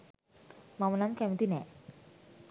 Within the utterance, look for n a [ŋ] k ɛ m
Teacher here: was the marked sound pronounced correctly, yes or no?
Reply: no